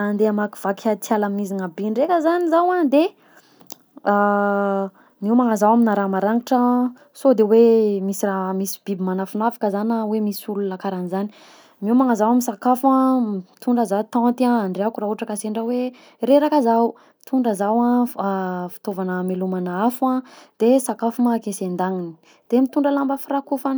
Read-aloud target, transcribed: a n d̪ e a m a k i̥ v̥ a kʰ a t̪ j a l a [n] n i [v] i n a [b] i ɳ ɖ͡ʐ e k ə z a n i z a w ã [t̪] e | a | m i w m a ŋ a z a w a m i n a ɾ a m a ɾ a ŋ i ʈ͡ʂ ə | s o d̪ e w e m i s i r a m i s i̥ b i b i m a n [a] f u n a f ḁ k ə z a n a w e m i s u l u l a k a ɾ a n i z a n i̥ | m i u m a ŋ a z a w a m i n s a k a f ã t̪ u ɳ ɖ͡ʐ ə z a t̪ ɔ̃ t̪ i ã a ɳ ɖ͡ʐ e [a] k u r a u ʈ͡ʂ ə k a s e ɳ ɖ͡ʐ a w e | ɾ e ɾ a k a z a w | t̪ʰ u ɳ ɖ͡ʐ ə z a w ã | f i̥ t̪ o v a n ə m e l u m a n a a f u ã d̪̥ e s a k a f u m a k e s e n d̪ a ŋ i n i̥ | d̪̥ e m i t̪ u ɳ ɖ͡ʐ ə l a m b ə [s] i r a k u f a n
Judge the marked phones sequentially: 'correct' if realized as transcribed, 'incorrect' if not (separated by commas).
incorrect, incorrect, correct, incorrect, correct, correct, incorrect